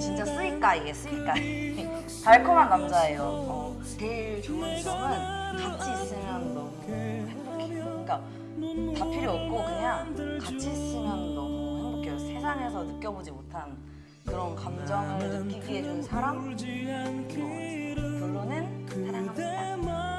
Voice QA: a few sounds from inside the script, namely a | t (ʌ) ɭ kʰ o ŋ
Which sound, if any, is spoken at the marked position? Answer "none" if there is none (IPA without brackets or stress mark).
a